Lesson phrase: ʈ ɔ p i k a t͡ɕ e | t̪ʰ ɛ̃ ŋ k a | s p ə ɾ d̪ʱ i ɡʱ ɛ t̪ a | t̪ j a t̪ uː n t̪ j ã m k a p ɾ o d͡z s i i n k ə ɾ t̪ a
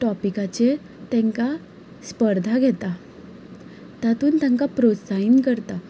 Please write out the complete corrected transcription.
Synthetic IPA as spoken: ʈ ɔ p i k a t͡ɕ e | t̪ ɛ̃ ŋ k a | s p ə ɾ d̪ʱ a ɡʱ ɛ t̪ a | t̪ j a t̪ uː n t̪ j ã ŋ k a p ɾ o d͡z s a i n k ə ɾ t̪ a